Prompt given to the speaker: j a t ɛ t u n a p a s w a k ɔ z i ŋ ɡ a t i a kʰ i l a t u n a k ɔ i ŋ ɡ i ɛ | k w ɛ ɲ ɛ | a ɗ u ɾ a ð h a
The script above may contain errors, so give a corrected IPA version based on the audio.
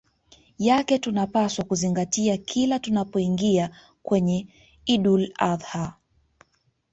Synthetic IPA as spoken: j a k ɛ t u n a p a s w a k u z i ŋ ɡ a t i a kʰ i l a t u n a p ɔ i ŋ ɡ i a | k w ɛ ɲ ɛ | i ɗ u l a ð h a

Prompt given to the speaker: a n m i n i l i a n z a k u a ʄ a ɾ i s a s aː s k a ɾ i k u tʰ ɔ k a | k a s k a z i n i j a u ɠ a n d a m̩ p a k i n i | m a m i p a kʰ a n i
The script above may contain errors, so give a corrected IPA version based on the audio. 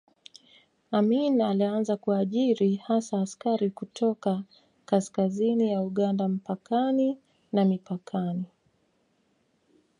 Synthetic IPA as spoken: a m i n a l i a n z a k u a ʄ i ɾ i h a s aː s k a ɾ i k u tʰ ɔ k a | k a s k a z i n i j a u ɠ a n d a m̩ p a k a n i | n a m i p a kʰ a n i

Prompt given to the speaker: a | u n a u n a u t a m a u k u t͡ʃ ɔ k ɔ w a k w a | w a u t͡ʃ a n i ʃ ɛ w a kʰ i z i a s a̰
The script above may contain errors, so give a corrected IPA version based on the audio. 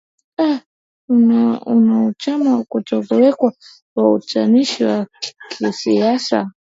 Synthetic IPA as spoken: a | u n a u n a u t͡ʃ a m a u k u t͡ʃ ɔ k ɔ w ɛ k w a | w a u t͡ʃ a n i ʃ i w a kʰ i s i a s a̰

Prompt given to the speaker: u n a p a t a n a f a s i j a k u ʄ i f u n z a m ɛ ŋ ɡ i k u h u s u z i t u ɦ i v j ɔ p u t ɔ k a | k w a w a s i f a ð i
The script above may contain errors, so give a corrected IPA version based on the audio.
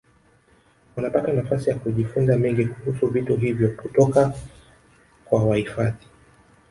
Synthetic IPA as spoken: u n a p a t a n a f a s i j a k u ʄ i f u n z a m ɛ ŋ ɡ i k u h u s u v i t u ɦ i v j ɔ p u t ɔ k a | k w a w a h i f a ð i

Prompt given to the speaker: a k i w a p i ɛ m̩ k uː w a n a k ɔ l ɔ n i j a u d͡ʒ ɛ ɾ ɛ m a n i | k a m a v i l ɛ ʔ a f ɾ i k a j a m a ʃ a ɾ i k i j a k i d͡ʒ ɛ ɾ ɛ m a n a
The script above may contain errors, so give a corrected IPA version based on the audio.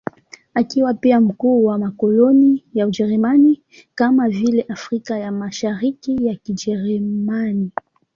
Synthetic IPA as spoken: a k i w a p i a m̩ k uː w a m a k ɔ l ɔ n i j a u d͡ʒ ɛ ɾ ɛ m a n i | k a m a v i l ɛ ʔ a f ɾ i k a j a m a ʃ a ɾ i k i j a k i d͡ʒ ɛ ɾ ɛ m a n i

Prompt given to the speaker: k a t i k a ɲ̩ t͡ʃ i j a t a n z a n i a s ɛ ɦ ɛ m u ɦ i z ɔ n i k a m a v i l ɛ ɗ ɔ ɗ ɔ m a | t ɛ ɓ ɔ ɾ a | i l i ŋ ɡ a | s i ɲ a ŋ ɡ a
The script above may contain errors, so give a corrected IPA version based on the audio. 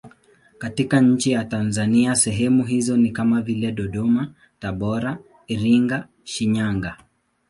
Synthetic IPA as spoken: k a t i k a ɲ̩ t͡ʃ i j a t a n z a n i a s ɛ ɦ ɛ m u ɦ i z ɔ n i k a m a v i l ɛ ɗ ɔ ɗ ɔ m a | t a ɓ ɔ ɾ a | i ɾ i ŋ ɡ a | ʃ i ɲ a ŋ ɡ a

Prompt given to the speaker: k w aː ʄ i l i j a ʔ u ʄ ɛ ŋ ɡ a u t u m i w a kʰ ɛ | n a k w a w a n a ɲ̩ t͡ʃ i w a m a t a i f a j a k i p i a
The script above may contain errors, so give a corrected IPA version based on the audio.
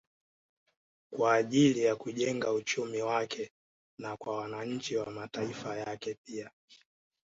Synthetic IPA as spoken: k w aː ʄ i l i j a k u ʄ ɛ ŋ ɡ a u t͡ʃ u m i w a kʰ ɛ | n a k w a w a n a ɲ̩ t͡ʃ i w a m a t a i f a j a k ɛ p i a

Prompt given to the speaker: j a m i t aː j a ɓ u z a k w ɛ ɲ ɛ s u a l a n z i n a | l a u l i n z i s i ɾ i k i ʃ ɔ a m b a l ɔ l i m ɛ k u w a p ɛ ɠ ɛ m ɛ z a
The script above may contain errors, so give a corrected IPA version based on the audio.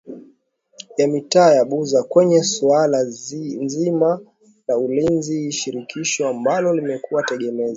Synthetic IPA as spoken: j a m i t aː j a ɓ u z a k w ɛ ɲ ɛ s u a l a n z i m a | l a u l i n z i ʃ i ɾ i k i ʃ ɔ a m b a l ɔ l i m ɛ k u w a t ɛ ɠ ɛ m ɛ z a

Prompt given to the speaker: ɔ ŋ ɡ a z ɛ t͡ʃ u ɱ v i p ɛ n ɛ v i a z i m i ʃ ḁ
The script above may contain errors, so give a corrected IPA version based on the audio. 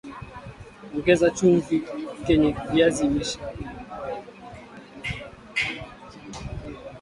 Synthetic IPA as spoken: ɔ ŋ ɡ ɛ z a t͡ʃ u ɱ v i k ɛ ɲ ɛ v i a z i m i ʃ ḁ

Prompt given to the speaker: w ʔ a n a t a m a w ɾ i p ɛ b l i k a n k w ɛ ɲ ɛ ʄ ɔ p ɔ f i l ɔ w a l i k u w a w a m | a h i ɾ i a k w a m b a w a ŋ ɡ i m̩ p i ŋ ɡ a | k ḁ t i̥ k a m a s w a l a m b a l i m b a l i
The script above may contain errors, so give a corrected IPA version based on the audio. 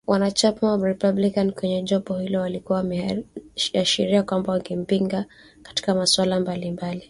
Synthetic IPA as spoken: w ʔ a n a t͡ʃ a m a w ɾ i p a b l i k a n k w ɛ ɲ ɛ ʄ ɔ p ɔ h i l ɔ w a l i k u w a w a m | a ʃ i ɾ i a k w a m b a w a ŋ ɡ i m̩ p i ŋ ɡ a | k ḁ t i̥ k a m a s w a l a m b a l i m b a l i

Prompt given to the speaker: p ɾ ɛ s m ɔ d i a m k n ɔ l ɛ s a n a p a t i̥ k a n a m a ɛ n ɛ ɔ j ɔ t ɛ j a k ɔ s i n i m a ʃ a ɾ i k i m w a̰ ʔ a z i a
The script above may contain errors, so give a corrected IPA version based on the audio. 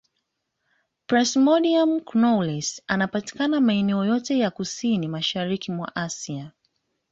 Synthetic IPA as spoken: p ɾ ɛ s m ɔ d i a m k n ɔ l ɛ s a n a p a t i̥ k a n a m a ɛ n ɛ ɔ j ɔ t ɛ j a k u s i n i m a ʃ a ɾ i k i m w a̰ ʔ a s i a

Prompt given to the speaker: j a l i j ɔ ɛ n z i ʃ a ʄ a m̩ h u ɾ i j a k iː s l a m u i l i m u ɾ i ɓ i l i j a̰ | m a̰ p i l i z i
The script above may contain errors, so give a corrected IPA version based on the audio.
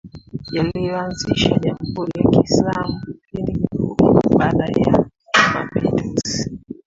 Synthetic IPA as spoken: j a l i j ɔ a n z i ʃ a ʄ a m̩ h u ɾ i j a k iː s l a m u i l i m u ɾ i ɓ a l a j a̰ | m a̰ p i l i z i

